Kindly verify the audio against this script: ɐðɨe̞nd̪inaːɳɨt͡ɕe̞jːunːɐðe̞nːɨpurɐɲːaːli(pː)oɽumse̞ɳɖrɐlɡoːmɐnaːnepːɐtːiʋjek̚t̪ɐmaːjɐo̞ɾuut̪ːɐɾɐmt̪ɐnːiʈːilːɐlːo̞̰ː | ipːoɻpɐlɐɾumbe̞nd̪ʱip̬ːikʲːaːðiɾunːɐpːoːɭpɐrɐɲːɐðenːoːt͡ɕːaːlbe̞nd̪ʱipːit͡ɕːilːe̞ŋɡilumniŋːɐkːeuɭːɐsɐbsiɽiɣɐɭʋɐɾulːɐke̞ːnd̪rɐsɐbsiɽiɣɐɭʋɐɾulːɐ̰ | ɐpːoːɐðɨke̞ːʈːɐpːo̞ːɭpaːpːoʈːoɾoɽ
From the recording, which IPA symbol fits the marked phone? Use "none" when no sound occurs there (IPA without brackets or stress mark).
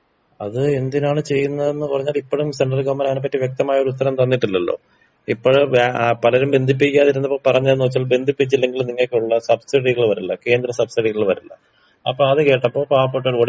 pː